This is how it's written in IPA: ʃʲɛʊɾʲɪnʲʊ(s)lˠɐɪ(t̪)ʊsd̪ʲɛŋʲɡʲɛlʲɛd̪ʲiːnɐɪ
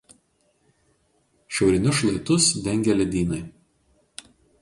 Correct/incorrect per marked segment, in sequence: incorrect: ʃ, correct

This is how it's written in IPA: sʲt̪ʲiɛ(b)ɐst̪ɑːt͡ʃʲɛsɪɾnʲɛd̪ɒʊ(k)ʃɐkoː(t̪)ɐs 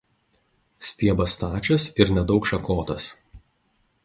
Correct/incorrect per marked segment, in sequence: correct, correct, correct

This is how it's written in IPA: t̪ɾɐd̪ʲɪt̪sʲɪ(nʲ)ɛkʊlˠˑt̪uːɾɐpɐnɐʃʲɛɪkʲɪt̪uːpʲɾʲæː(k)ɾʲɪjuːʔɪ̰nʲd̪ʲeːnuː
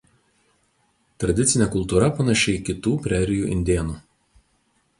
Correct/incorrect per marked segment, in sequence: correct, incorrect: none

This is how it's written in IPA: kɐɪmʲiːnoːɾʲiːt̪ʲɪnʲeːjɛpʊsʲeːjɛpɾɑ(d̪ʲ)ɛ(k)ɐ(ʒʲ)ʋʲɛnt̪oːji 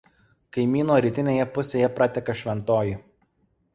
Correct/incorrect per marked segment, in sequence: incorrect: t̪ʲ, correct, incorrect: ʃʲ

